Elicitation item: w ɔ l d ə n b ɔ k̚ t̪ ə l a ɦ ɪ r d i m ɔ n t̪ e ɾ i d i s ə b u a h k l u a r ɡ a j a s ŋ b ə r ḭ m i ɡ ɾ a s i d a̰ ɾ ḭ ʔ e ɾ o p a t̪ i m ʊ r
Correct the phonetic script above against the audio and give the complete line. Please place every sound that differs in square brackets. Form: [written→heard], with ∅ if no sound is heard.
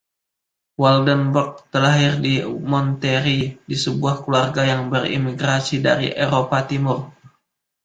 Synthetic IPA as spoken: w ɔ l d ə n b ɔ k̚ t̪ ə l a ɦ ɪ r d i m ɔ n t̪ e ɾ i d i s ə b u a h k l u a r ɡ a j a [s→∅] ŋ b ə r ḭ m i ɡ ɾ a s i d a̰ ɾ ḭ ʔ e ɾ o p a t̪ i m ʊ r